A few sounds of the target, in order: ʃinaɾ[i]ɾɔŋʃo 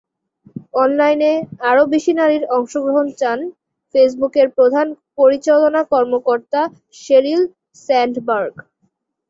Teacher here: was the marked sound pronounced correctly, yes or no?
yes